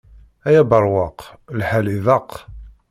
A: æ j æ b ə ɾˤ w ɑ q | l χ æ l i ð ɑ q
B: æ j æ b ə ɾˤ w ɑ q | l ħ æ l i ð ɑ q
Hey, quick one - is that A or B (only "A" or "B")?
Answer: B